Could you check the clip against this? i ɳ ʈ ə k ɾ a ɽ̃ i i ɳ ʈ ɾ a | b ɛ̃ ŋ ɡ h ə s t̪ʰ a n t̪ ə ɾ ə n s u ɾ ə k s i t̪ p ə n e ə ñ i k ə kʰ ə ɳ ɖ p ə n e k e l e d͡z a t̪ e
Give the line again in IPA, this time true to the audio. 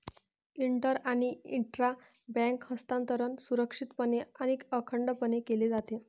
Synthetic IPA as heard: i ɳ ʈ ə ɾ a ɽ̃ i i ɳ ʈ ɾ a | b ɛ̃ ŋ k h ə s t̪ a n t̪ ə ɾ ə n s u ɾ ə k ʂ i t̪ p ə n e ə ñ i k ə kʰ ə ɳ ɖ p ə n e k e l e d͡z a t̪ e